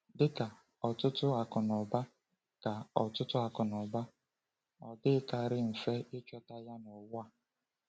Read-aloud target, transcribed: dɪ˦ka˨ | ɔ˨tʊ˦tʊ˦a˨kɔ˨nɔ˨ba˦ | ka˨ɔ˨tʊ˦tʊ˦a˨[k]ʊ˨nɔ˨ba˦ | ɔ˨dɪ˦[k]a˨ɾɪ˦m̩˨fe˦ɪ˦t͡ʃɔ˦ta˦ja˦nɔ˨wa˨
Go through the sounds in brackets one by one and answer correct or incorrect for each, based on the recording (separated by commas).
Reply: correct, correct